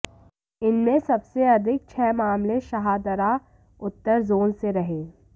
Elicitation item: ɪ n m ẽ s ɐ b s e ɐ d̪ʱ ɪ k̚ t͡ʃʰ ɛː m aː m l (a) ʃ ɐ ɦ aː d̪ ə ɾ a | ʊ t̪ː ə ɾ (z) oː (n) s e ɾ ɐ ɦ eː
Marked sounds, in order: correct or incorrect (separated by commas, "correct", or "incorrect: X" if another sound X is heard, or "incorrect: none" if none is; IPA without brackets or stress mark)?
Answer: incorrect: e, correct, correct